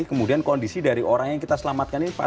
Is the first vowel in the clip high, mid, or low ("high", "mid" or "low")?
mid